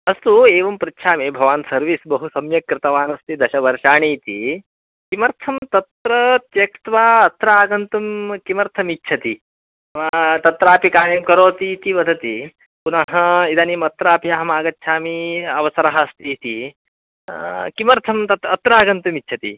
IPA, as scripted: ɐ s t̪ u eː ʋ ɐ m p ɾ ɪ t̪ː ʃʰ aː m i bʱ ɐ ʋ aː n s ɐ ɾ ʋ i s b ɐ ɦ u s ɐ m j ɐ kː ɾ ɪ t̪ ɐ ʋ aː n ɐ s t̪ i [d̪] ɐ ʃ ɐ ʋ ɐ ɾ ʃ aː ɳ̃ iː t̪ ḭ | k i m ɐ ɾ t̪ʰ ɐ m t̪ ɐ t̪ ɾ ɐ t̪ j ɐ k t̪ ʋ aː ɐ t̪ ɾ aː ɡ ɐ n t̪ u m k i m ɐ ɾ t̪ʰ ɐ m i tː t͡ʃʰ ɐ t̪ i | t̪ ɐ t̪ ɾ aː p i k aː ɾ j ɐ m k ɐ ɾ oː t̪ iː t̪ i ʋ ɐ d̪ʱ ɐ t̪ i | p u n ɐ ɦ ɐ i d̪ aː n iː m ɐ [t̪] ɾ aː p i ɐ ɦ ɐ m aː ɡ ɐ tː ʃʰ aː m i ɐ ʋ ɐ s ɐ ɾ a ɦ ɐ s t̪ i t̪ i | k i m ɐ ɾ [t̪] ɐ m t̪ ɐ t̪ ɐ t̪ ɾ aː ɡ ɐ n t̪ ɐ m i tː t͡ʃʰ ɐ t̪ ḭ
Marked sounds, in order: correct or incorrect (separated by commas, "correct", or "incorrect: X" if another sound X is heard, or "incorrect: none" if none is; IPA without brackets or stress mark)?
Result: correct, correct, incorrect: t̪ʰ